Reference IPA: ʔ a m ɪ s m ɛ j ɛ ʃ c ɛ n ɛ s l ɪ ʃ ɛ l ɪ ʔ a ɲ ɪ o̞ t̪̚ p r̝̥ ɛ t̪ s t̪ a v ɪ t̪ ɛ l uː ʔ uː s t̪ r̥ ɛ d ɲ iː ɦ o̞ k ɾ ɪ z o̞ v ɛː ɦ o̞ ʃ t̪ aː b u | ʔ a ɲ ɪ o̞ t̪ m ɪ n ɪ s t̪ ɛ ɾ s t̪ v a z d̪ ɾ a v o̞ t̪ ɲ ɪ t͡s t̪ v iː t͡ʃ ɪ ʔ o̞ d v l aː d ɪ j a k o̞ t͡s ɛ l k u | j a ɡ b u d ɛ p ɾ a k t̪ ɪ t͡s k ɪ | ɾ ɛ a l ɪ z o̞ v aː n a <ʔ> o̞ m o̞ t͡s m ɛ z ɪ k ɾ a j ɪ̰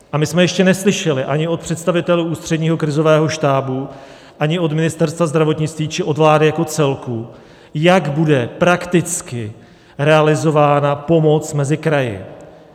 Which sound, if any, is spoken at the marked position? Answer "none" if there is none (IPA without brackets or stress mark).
p